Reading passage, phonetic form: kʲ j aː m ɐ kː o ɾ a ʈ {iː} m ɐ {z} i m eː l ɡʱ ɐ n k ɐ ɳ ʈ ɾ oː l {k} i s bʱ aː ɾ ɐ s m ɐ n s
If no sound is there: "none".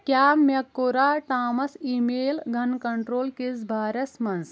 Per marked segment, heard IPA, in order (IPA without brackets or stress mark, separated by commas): aː, s, k